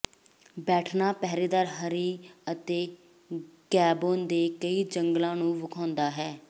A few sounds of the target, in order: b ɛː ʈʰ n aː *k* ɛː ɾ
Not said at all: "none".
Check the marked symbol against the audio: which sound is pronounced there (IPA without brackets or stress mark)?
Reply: p